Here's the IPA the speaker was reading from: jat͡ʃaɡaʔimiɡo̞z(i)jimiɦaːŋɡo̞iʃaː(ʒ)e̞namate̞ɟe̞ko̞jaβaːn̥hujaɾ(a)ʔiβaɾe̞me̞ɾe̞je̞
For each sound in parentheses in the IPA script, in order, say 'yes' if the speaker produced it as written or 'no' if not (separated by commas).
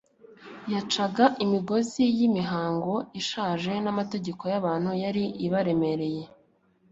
yes, yes, no